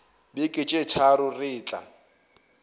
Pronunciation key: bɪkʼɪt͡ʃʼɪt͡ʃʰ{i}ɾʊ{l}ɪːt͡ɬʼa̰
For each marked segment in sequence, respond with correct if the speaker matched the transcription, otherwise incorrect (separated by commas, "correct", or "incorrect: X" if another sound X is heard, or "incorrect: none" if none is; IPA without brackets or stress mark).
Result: incorrect: a, incorrect: r